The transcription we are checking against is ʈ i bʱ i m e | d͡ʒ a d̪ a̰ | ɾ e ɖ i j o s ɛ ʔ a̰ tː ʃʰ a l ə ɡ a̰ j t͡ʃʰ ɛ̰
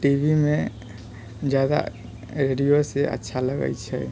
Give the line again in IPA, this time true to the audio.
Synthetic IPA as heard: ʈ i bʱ i m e | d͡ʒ a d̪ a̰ | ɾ e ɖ i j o s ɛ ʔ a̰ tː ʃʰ a l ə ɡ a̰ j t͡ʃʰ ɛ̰

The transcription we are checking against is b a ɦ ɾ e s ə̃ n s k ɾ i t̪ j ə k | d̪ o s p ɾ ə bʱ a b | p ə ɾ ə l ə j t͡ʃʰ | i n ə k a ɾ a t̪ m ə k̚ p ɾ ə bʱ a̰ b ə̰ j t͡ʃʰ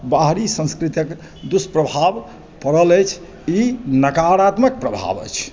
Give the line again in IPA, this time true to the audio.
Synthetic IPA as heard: b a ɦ ɾ i s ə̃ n s k ɾ i t̪ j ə k | d̪ u s p ɾ ə bʱ a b | p ə ɾ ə l ə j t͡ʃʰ | i n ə k a ɾ a t̪ m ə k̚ p ɾ ə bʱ a̰ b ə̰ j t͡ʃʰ

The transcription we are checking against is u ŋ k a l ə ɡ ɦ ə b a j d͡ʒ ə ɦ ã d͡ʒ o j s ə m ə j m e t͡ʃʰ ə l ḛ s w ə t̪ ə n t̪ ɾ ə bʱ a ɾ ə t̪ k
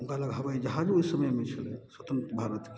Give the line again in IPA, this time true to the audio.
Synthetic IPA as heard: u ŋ k a l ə ɡ ɦ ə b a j d͡ʒ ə ɦ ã d͡ʒ o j s ə m ə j m e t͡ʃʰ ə l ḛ s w ə t̪ ə n t̪ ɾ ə bʱ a ɾ ə t̪ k

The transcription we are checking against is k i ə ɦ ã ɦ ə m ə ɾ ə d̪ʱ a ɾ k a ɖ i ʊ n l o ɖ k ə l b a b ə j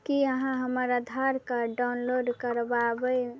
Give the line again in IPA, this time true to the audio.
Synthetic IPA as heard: k i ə ɦ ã ɦ ə m ə ɾ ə d̪ʱ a ɾ k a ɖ a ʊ n l o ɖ k ə ɾ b a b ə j

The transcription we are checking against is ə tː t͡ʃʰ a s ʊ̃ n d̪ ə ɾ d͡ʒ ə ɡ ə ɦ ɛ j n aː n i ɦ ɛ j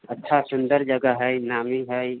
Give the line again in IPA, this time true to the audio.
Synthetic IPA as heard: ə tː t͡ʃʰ a s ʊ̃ n d̪ ə ɾ d͡ʒ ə ɡ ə ɦ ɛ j n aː m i ɦ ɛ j

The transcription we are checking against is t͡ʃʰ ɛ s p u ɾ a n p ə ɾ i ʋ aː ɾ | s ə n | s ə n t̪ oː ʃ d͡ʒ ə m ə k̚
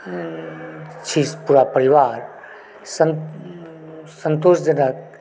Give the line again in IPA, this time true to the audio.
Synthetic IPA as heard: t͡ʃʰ i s p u ɾ a p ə ɾ i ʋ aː ɾ | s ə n | s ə n t̪ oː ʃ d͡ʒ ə n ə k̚

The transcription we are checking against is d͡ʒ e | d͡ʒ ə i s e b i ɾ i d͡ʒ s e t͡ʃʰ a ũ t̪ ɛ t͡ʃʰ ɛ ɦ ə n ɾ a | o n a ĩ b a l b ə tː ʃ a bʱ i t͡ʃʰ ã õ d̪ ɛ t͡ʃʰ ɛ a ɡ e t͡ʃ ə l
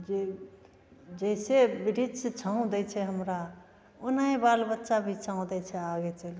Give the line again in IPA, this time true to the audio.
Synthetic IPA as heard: d͡ʒ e | d͡ʒ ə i s e b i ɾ i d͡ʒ s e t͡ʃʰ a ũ d̪ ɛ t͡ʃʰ ɛ ɦ ə m ɾ a | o n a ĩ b a l b ə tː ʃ a bʱ i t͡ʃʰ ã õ d̪ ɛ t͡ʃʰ ɛ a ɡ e t͡ʃ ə l

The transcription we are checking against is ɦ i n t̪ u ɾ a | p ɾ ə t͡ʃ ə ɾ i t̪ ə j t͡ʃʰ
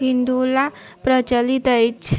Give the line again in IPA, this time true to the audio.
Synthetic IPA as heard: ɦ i n d̪ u l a | p ɾ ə t͡ʃ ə l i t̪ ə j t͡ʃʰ

